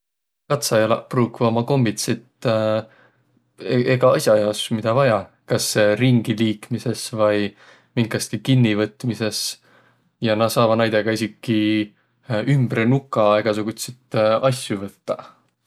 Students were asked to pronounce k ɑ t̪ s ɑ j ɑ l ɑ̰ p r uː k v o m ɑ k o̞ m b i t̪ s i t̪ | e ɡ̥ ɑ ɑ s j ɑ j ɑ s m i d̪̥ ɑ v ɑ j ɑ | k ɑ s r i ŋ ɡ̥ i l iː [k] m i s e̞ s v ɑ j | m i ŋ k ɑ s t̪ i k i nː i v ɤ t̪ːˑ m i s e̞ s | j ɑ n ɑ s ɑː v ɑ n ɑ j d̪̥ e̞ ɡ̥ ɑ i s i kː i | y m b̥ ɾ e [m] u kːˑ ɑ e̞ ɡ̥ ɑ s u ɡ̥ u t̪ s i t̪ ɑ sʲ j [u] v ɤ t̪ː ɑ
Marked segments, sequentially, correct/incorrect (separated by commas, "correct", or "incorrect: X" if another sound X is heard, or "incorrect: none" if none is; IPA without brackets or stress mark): correct, incorrect: n, correct